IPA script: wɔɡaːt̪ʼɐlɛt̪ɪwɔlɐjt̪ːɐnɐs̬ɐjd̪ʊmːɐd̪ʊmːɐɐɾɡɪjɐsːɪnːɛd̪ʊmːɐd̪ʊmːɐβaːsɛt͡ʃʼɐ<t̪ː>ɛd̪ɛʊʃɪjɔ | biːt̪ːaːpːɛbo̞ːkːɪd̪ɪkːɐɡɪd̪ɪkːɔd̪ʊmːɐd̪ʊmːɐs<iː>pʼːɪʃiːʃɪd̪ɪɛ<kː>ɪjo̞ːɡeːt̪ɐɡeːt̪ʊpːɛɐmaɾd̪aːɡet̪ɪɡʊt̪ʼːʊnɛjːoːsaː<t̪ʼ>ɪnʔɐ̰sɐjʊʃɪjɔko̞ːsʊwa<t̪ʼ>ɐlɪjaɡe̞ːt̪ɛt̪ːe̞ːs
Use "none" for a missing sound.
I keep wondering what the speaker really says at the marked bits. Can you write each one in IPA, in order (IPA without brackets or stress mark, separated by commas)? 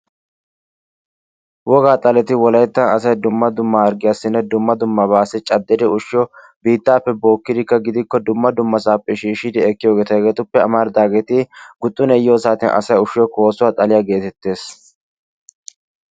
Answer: d̪ː, aː, kː, t̪, t̪ʼ